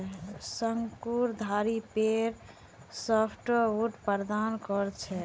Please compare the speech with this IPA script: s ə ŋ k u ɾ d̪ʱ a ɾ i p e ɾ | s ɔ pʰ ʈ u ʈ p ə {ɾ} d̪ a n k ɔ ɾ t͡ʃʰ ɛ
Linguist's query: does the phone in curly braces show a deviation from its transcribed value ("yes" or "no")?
no